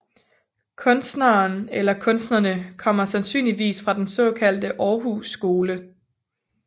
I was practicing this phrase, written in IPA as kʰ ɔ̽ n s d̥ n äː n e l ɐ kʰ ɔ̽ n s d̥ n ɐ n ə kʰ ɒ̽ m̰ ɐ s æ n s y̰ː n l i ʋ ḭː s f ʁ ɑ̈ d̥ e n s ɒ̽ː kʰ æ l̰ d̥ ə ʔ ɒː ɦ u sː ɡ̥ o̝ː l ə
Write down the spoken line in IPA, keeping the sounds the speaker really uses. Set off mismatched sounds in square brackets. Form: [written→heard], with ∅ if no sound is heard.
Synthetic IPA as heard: kʰ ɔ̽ n s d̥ n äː n e l ɐ kʰ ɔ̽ n s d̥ n ɐ n ə kʰ ɒ̽ m̰ ɐ s æ n s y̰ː n l i ʋ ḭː s f ʁ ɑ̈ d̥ e n s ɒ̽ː kʰ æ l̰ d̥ ə ʔ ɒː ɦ u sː ɡ̥ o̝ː l ə